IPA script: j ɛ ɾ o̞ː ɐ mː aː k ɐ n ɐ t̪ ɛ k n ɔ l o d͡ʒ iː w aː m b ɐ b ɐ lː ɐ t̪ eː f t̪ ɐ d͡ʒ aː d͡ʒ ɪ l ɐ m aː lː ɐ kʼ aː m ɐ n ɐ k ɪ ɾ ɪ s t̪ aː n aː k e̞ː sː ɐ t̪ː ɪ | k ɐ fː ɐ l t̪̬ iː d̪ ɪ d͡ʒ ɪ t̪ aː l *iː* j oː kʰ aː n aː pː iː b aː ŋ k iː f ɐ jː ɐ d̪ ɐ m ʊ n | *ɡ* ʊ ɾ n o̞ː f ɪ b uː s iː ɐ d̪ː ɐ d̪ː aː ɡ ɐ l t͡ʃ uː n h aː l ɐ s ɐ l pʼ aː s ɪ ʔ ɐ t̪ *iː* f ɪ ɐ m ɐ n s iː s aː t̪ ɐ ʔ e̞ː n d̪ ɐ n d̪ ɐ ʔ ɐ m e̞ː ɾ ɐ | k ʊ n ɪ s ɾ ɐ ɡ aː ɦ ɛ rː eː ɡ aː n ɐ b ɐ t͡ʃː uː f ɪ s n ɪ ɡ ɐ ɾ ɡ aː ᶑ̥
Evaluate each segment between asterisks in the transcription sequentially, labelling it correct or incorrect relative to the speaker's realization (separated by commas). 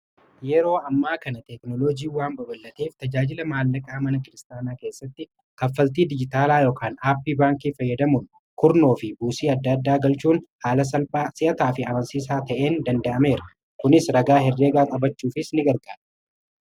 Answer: incorrect, incorrect, incorrect